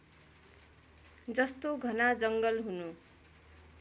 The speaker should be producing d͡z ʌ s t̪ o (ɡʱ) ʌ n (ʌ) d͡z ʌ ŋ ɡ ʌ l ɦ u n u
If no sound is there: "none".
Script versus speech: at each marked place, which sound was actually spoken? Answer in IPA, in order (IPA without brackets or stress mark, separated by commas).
ɡʱ, a